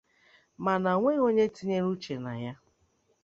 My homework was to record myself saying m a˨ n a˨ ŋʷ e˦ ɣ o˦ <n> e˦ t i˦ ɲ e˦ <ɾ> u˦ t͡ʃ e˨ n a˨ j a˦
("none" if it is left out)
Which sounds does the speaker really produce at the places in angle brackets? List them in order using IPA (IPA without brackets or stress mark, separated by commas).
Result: ɲ, ɾ